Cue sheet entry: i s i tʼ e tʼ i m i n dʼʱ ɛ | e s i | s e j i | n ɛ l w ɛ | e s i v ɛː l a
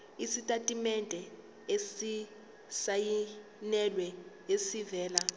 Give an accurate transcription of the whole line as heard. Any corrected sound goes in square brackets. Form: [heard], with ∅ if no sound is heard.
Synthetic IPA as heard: i s i tʼ [a] tʼ i m [ɛ] n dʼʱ ɛ | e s i | s [a] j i | n ɛ l w ɛ | e s i v ɛː l a